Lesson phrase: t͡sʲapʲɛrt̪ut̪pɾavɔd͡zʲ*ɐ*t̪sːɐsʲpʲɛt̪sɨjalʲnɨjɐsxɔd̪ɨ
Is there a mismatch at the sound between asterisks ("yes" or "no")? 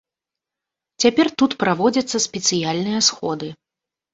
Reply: no